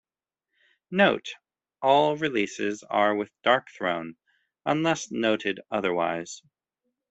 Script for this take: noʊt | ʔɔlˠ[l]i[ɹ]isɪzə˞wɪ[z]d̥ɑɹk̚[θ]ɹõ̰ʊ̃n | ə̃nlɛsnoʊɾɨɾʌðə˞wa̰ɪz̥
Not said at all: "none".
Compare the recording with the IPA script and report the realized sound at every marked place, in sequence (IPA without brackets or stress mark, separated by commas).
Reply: ɹ, l, ð, θ